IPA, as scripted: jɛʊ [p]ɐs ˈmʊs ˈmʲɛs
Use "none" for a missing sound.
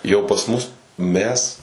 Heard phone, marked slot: p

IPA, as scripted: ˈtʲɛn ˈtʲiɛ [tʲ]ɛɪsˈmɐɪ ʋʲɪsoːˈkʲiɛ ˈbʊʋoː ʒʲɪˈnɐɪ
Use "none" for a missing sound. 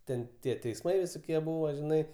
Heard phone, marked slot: tʲ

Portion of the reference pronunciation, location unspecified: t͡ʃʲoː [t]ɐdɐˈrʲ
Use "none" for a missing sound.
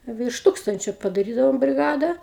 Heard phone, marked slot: p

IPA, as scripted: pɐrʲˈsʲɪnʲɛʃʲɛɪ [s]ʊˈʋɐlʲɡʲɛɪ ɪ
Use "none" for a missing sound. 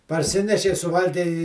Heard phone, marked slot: s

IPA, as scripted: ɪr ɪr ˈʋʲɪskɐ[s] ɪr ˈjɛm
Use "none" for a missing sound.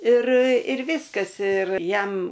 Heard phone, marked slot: s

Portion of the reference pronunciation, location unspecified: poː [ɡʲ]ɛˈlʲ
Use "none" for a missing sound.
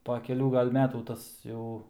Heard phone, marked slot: kʲ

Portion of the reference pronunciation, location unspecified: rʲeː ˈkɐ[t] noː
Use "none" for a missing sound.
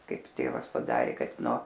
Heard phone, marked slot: t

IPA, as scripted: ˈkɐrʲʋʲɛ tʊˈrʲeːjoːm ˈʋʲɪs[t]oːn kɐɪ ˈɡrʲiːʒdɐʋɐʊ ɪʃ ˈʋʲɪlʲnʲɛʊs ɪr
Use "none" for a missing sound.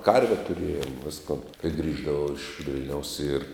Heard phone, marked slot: k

